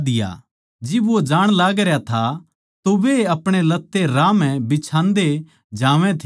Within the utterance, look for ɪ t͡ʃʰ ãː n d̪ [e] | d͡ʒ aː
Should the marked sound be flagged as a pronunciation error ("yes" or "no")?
no